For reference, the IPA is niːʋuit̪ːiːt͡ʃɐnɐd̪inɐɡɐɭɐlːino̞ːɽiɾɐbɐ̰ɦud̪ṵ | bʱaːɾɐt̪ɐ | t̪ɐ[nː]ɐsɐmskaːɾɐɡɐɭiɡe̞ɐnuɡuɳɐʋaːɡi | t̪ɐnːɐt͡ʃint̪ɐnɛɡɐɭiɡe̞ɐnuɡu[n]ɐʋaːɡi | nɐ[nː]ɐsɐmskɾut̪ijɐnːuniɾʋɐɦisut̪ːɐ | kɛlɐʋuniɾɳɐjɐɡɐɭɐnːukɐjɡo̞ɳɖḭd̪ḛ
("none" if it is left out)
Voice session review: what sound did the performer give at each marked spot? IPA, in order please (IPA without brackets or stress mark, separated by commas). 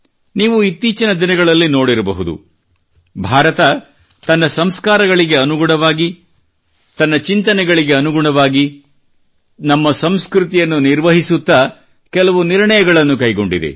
nː, ɳ, mː